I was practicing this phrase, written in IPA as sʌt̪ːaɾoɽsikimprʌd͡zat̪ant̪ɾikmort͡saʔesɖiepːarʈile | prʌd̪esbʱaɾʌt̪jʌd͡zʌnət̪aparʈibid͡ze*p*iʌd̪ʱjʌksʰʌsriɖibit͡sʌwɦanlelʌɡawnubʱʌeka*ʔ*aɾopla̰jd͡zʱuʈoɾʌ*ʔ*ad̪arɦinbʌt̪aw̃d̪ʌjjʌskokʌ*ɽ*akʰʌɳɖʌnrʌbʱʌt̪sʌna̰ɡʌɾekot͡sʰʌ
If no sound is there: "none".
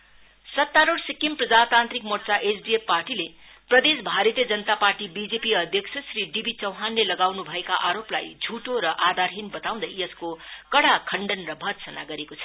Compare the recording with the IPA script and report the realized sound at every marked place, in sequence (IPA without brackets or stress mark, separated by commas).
p, ʔ, ʔ, ɽ